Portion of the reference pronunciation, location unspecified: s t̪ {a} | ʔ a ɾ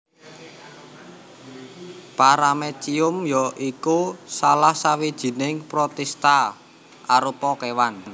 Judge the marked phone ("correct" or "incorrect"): correct